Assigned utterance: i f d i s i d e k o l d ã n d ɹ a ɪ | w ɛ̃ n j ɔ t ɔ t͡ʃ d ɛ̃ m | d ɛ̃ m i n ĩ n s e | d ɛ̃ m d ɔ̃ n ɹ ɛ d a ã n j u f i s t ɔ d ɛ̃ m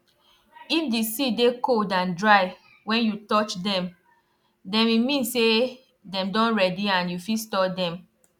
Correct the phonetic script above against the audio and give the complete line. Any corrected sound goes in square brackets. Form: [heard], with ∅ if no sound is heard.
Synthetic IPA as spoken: i f d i s i d e k o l d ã n d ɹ a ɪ | w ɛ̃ n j [u] t ɔ t͡ʃ d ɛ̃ m | d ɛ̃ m i [m] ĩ n s e | d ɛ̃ m d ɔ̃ n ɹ ɛ d [i] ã n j u f i s t ɔ d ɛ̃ m